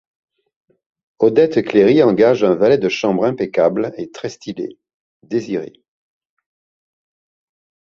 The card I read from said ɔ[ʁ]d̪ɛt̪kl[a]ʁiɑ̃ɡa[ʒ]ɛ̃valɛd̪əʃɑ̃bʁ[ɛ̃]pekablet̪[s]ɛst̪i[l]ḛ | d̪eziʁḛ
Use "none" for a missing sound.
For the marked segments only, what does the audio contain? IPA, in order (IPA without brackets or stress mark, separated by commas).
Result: none, e, ʒ, ɛ̃, χ, l